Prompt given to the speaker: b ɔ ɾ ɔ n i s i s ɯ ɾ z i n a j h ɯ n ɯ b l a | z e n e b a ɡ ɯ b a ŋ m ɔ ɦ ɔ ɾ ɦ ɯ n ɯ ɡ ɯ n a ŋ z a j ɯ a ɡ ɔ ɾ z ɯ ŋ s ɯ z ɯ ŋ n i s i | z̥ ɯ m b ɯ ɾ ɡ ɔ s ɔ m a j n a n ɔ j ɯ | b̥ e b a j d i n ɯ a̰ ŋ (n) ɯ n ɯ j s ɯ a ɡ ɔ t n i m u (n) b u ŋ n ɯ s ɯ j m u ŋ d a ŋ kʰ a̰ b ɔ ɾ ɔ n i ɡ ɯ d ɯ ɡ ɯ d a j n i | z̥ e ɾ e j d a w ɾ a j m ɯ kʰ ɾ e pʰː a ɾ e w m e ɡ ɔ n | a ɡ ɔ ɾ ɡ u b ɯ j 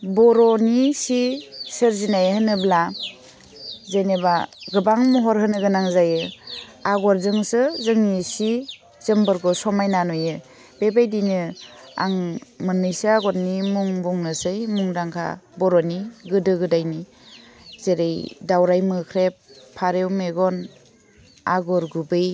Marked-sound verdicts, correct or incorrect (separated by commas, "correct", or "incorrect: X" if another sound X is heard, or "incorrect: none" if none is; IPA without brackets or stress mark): incorrect: m, incorrect: ŋ